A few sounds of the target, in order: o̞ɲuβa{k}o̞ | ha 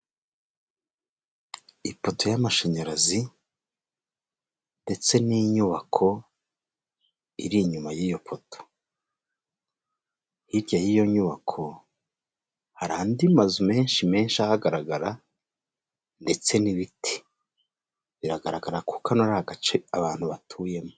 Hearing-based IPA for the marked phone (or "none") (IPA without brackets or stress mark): kʰ